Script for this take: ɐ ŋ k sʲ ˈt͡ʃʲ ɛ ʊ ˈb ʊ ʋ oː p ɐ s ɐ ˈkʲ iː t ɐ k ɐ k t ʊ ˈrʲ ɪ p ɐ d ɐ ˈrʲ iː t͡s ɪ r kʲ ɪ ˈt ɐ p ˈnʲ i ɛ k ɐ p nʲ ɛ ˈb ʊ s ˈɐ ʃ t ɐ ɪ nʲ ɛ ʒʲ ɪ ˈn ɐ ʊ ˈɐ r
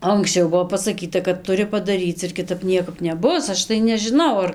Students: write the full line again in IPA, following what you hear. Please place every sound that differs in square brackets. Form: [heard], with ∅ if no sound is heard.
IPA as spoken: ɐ ŋ k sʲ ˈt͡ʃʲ ɛ ʊ ˈb ʊ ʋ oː p ɐ s ɐ ˈkʲ iː t ɐ k ɐ [t] t ʊ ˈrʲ ɪ p ɐ d ɐ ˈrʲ iː t͡s ɪ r kʲ ɪ ˈt ɐ p ˈnʲ i ɛ k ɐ p nʲ ɛ ˈb ʊ s ˈɐ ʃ t ɐ ɪ nʲ ɛ ʒʲ ɪ ˈn ɐ ʊ ˈɐ r